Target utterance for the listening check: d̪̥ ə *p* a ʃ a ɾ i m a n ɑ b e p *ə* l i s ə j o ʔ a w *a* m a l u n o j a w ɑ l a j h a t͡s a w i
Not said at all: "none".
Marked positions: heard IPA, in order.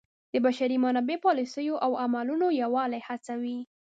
b, ɑ, a

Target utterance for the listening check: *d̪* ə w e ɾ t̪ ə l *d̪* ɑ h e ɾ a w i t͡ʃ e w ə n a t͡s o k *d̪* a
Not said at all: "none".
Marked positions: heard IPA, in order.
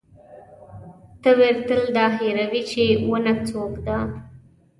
t̪, d̪, d̪

